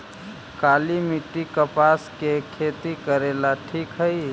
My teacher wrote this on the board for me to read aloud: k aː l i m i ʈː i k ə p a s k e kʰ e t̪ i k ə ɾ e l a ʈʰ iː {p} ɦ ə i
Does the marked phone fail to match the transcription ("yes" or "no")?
yes